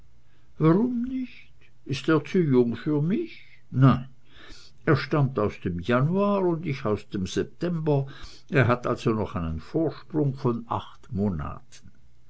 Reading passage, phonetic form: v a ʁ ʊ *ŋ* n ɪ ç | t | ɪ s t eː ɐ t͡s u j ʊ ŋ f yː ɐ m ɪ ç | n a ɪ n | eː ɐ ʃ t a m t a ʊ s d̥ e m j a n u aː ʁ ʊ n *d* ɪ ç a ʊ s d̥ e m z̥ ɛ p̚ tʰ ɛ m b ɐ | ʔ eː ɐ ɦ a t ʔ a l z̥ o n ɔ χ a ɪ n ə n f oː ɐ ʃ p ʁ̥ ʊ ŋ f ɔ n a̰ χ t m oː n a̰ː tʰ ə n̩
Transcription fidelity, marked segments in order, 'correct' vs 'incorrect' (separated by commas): incorrect, correct